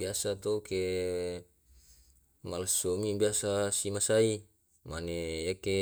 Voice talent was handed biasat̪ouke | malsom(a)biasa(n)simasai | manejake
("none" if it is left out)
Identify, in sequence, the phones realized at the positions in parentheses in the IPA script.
i, none

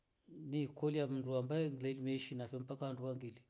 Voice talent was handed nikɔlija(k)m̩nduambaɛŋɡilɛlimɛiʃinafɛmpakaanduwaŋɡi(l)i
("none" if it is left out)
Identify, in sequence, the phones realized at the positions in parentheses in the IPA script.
none, l

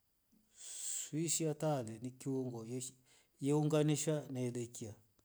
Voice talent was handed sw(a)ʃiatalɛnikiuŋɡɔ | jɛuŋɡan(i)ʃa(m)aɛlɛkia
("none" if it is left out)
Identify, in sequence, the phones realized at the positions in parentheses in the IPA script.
i, i, n

